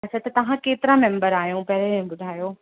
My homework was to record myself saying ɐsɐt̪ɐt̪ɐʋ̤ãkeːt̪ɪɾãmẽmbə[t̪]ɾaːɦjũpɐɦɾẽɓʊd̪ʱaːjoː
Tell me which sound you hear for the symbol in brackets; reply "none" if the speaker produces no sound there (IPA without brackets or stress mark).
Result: none